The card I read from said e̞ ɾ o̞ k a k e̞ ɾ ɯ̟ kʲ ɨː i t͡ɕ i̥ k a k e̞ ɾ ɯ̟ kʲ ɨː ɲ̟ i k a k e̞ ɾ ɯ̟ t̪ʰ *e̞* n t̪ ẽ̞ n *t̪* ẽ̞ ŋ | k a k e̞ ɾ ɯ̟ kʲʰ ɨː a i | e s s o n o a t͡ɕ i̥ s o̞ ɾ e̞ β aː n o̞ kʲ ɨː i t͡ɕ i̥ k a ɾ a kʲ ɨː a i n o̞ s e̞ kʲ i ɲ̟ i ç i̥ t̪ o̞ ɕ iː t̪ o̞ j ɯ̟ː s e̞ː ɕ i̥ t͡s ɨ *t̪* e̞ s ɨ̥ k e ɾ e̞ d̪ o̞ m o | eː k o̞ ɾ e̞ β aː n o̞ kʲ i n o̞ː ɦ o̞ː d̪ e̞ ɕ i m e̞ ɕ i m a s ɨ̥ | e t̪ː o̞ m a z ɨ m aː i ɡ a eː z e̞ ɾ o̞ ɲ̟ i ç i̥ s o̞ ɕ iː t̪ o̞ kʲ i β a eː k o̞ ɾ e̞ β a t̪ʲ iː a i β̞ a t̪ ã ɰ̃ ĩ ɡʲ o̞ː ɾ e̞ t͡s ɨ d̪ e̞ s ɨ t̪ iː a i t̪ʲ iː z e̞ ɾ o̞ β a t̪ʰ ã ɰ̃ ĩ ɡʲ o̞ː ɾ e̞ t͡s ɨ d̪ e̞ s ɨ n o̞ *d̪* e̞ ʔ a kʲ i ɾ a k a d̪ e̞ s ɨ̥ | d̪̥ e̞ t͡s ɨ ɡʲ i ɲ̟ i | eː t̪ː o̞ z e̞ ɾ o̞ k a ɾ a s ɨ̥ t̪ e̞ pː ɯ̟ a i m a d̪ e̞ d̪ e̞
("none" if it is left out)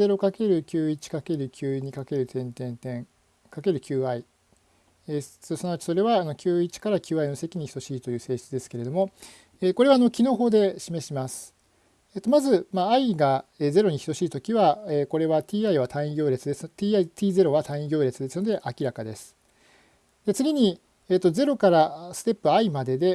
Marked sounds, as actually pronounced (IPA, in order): ẽ̞, t̪, d̪, d̪

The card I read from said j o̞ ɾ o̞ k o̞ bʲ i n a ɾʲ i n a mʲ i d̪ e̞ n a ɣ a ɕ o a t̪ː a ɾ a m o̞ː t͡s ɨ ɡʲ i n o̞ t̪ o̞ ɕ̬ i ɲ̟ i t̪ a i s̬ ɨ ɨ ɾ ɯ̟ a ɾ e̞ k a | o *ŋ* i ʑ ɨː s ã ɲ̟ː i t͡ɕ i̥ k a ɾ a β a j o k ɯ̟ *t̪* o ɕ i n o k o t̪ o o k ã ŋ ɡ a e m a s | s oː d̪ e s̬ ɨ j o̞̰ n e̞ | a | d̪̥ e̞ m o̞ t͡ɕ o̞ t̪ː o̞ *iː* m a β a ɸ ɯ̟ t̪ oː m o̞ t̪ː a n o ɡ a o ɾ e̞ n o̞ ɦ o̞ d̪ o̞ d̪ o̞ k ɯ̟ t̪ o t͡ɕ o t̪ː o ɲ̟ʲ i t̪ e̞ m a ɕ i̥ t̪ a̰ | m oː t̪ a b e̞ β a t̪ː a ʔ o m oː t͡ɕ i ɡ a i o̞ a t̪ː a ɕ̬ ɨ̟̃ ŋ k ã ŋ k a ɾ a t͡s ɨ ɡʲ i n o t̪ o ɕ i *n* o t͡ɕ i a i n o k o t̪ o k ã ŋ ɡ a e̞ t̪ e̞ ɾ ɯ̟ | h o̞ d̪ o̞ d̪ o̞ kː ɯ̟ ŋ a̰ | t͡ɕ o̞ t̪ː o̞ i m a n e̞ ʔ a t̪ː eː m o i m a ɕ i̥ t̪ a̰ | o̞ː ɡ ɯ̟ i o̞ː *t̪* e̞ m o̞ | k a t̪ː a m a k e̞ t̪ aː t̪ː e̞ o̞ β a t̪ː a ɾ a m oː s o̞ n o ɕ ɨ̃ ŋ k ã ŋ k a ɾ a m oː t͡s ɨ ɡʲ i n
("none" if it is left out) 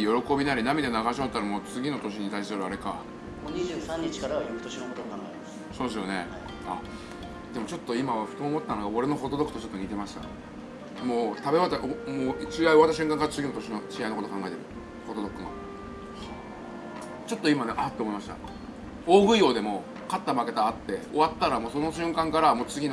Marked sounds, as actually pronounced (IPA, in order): ɲ, t̪, i, n, d̪

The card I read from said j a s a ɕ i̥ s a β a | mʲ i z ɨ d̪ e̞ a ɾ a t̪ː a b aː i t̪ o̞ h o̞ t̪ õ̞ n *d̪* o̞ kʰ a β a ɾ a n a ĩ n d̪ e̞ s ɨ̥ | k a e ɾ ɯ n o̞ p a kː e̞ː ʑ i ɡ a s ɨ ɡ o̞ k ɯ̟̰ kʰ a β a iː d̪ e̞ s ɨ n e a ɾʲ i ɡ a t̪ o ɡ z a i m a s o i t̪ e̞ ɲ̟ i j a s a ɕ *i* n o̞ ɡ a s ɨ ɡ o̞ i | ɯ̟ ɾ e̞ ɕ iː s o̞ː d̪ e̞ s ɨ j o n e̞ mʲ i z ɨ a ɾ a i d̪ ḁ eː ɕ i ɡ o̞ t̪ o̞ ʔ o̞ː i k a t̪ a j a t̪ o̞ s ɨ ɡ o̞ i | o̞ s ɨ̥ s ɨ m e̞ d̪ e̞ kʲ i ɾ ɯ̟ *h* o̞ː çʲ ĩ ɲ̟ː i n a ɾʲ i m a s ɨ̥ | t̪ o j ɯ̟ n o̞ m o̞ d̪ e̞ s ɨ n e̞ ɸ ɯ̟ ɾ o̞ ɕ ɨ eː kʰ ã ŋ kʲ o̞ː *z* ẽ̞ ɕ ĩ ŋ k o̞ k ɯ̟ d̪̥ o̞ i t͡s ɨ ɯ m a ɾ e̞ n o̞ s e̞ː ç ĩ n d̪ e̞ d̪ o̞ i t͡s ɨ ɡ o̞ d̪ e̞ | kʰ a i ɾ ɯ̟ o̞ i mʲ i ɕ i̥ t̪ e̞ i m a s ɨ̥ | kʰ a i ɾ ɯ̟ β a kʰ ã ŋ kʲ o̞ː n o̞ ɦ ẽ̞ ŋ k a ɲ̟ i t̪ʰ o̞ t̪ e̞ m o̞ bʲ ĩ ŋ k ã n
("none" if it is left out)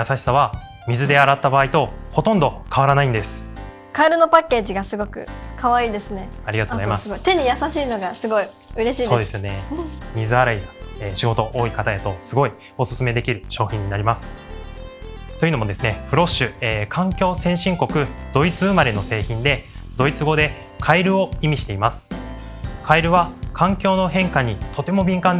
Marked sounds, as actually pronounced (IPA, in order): d̪, iː, ɕ, s

